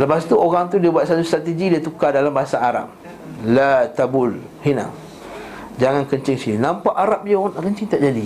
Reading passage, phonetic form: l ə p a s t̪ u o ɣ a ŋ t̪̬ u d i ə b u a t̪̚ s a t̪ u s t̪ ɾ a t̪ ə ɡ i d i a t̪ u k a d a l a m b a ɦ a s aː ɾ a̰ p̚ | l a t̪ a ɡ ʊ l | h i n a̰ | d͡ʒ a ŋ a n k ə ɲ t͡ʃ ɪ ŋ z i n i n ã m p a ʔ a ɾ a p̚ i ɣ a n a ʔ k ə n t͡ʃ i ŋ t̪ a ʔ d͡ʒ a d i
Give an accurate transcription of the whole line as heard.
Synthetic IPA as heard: l ə p a s t̪ u o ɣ a ŋ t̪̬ u d i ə b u a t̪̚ s a t̪ u s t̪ ɾ a t̪ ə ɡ i d i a t̪ u k a d a l a m b a ɦ a s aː ɾ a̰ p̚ | l a t̪ a b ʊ l | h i n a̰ | d͡ʒ a ŋ a n k ə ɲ t͡ʃ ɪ ŋ s i n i n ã m p a ʔ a ɾ a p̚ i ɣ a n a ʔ k ə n t͡ʃ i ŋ t̪ a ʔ d͡ʒ a d i